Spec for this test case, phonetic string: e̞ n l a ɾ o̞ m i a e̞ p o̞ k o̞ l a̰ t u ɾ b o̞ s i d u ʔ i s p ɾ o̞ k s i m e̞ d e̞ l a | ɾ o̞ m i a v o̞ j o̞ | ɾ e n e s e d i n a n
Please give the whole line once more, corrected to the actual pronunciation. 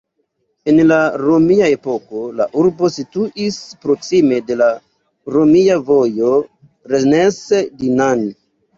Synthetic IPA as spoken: e̞ n l a ɾ o̞ m i a e̞ p o̞ k o̞ l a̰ ʔ u ɾ b o̞ s i t u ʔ i s p ɾ o̞ k s i m e̞ d e̞ l a | ɾ o̞ m i a v o̞ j o̞ | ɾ e n e s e d i n a n

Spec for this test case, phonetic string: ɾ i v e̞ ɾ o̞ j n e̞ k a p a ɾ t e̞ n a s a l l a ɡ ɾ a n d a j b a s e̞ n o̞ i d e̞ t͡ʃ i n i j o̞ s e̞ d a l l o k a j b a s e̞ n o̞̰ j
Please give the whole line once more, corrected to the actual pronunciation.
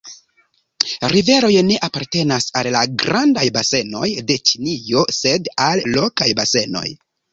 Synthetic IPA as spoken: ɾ i v e̞ ɾ o̞ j n e̞ ʔ a p a ɾ t e̞ n a s a l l a ɡ ɾ a n d a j b a s e̞ n o̞ j d e̞ t͡ʃ i n i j o̞ s e̞ d a l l o k a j b a s e̞ n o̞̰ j

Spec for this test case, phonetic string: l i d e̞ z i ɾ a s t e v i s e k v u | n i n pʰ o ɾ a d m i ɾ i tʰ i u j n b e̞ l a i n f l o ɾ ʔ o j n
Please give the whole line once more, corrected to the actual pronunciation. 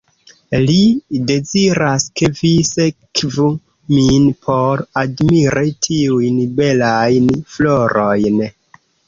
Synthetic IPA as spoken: l i d e̞ z i ɾ a s k e v i s e k v u | m i n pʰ o ɾ a d m i ɾ i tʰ i u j n b e̞ l a j n f l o ɾ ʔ o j n

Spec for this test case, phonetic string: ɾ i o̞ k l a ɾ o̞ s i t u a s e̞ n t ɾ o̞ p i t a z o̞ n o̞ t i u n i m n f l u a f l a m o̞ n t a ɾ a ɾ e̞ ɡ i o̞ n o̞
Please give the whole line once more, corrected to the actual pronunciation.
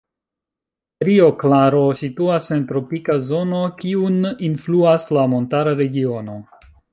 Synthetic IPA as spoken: ɾ i o̞ k l a ɾ o̞ s i t u a s e̞ n t ɾ o̞ p i k a z o̞ n o̞ k i u n i n f l u a s l a m o̞ n t a ɾ a ɾ e̞ ɡ i o̞ n o̞

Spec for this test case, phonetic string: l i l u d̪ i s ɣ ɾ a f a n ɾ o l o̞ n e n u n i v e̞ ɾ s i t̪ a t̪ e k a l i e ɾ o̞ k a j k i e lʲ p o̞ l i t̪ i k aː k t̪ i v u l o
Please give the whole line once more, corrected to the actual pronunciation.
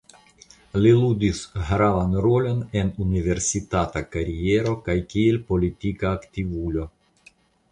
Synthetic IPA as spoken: l i l u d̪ i s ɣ ɾ a v a n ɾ o l o̞ n e n u n i v e̞ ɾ s i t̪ a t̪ a k a ɾ i e ɾ o̞ k a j k i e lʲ p o̞ l i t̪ i k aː k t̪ i v u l o

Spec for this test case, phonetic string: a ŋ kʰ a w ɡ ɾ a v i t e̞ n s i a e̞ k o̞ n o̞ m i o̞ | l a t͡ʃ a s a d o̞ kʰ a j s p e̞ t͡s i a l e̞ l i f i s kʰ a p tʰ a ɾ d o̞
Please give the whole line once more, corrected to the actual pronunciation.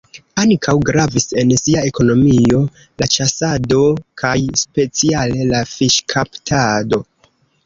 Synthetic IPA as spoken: a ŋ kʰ a w ɡ ɾ a v i s e̞ n s i a e̞ k o̞ n o̞ m i o̞ | l a t͡ʃ a s a d o̞ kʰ a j s p e̞ t͡s i a l e̞ l a f i ʃ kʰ a p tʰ a d o̞

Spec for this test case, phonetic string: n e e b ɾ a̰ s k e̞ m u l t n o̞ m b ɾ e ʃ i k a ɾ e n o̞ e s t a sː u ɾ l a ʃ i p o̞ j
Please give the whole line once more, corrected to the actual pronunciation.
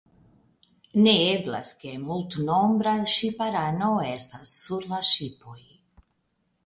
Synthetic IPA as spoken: n e e b l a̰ s k e̞ m u l t n o̞ m b ɾ a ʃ i p a ɾ a n o̞ e s t a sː u ɾ l a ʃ i p o̞ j

